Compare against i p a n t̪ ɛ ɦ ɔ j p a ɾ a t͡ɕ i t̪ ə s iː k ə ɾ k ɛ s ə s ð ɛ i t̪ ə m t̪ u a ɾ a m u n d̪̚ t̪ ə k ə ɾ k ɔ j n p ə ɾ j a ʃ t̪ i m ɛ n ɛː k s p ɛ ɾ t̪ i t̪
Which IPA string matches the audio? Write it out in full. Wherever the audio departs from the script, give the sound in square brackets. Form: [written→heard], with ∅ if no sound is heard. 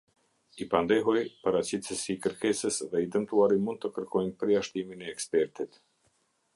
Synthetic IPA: i p a n [t̪→d̪] ɛ ɦ ɔ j p a ɾ a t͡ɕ i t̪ ə s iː k ə ɾ k ɛ s ə s ð ɛ i [t̪→d̪] ə m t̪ u a ɾ [a→i] m u n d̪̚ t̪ ə k ə ɾ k ɔ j n p ə ɾ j a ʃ t̪ i m [ɛ→i] n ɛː k s p ɛ ɾ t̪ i t̪